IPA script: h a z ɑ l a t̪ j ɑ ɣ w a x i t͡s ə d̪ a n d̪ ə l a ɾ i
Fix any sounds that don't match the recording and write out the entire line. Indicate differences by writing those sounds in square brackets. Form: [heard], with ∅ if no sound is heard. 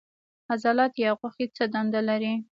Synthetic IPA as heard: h a z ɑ l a t̪ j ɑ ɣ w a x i t͡s ə d̪ a n d̪ [a] l a ɾ i